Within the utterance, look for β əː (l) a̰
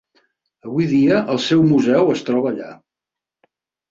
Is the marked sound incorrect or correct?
incorrect